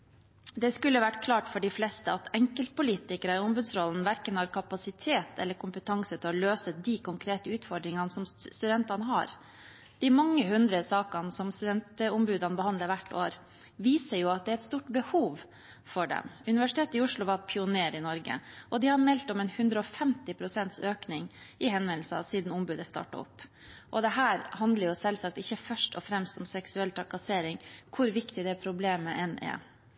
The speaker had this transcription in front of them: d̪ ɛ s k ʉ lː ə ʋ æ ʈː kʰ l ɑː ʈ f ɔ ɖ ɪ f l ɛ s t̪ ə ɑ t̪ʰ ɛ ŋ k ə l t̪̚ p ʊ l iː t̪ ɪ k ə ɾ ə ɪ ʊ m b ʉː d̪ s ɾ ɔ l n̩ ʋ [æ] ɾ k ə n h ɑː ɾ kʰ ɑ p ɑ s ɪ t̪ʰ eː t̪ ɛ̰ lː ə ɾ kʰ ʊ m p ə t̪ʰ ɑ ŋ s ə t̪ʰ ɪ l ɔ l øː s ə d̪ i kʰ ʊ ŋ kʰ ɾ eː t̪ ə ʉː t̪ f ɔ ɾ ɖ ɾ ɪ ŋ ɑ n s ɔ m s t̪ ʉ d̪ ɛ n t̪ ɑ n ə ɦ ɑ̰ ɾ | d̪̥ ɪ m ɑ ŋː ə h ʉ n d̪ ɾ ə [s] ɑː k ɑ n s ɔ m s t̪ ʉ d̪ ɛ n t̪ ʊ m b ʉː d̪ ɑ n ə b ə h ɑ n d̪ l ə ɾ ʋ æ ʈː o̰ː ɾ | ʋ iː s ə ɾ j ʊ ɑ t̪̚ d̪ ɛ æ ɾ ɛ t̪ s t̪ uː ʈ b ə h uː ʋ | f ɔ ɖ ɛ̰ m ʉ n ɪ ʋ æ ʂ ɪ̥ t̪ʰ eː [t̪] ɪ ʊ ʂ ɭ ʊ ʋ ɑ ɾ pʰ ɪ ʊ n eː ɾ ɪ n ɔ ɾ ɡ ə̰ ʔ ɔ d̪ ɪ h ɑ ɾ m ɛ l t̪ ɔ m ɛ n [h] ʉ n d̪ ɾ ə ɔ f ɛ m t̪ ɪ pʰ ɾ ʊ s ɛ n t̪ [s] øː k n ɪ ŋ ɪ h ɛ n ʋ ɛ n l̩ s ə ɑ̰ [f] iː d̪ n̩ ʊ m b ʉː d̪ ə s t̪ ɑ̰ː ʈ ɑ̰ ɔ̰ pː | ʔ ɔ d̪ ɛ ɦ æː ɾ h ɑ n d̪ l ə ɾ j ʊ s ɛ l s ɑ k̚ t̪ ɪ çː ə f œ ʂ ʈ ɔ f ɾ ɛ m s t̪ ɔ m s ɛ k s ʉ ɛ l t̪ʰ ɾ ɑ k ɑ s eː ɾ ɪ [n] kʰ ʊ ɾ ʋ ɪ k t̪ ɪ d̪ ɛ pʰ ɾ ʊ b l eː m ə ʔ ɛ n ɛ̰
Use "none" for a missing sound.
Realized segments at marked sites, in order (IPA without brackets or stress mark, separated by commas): æ, s, t̪, h, s, s, ŋ